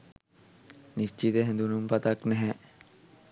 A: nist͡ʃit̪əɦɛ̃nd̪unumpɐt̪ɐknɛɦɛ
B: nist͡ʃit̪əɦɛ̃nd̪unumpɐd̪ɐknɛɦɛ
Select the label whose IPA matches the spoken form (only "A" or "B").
A